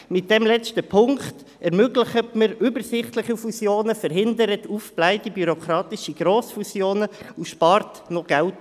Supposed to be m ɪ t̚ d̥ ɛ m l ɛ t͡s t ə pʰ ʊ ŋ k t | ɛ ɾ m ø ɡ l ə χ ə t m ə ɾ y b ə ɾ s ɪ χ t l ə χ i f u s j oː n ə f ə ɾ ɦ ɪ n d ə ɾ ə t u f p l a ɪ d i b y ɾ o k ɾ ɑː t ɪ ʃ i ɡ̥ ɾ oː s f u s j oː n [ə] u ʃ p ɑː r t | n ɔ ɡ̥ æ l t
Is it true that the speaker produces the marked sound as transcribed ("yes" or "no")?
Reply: yes